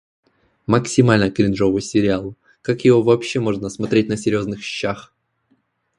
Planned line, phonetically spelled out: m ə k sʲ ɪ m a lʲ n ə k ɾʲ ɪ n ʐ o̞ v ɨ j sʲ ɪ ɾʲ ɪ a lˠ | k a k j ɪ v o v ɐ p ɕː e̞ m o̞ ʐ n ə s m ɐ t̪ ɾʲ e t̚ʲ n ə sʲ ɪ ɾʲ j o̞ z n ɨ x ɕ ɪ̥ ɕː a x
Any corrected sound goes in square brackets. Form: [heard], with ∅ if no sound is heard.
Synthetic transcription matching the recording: m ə k sʲ ɪ m a lʲ n ə k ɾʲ ɪ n ʐ o̞ v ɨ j sʲ ɪ ɾʲ ɪ a lˠ | k a k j ɪ v o v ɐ p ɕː e̞ m o̞ ʐ n ə s m ɐ t̪ ɾʲ e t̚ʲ n ə sʲ ɪ ɾʲ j o̞ z n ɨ x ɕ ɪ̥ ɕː a x